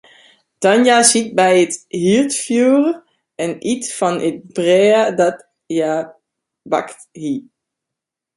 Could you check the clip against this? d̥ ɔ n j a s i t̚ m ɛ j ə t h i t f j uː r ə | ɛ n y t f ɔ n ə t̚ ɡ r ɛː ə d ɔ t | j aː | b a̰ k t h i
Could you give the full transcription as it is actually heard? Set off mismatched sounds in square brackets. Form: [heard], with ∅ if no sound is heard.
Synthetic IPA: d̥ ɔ n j a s i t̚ [b] ɛ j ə t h i t f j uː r ə | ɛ n [i] t f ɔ n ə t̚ [b] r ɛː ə d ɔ t | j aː | b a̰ k t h i